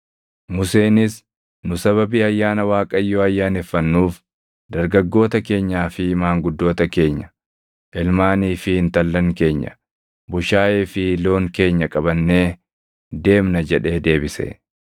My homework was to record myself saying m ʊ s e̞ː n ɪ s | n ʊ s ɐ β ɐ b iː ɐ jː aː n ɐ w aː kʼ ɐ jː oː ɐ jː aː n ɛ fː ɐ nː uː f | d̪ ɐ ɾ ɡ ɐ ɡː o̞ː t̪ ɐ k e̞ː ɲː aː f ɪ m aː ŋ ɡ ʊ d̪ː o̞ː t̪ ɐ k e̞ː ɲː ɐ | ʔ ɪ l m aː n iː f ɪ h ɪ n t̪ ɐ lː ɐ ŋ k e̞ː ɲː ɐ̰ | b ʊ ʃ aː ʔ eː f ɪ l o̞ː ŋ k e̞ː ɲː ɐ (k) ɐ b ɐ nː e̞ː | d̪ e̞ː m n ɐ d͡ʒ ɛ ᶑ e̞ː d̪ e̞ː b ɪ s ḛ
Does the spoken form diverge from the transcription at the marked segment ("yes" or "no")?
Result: yes